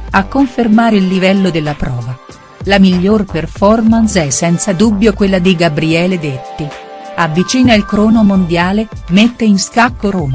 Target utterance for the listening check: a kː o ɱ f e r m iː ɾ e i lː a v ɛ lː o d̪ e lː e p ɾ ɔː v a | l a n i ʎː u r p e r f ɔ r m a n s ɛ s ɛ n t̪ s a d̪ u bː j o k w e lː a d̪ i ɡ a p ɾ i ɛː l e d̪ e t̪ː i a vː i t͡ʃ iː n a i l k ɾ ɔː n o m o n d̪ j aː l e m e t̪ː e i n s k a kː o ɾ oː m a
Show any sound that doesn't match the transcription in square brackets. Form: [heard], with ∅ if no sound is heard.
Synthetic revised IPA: a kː o ɱ f e r m [aː] ɾ e i lː [i] v ɛ lː o d̪ e lː [a] p ɾ ɔː v a | l a [m] i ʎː [o] r p e r f ɔ r m a n s ɛ s ɛ n t̪ s a d̪ u bː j o k w e lː a d̪ i ɡ a [b] ɾ i ɛː l e d̪ e t̪ː i a vː i t͡ʃ iː n a i l k ɾ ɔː n o m o n d̪ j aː l e m e t̪ː e i n s k a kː o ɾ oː m a